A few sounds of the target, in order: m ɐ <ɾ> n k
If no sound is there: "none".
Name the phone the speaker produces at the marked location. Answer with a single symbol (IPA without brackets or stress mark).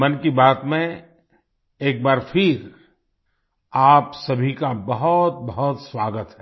none